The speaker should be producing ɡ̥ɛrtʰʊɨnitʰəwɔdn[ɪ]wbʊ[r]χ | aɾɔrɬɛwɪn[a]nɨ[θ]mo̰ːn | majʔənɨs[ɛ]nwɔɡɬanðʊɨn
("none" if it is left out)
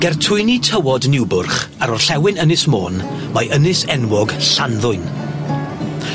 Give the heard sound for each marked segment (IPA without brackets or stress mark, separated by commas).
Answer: ɪ, r, ə, s, ɛ